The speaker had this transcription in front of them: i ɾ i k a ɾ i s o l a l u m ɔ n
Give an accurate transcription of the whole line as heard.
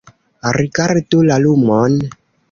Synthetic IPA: a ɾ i k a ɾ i t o l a l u m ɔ n